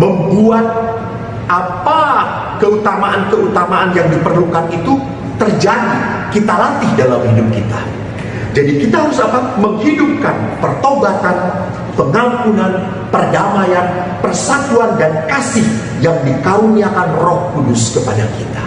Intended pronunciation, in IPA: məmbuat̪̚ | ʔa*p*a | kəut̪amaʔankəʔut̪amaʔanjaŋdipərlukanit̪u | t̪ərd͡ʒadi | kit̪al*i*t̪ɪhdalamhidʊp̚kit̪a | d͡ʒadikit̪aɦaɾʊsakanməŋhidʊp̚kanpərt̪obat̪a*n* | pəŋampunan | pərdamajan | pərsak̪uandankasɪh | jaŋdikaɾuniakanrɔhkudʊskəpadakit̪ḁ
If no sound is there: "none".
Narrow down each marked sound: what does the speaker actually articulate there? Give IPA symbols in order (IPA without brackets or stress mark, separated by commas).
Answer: p, a, n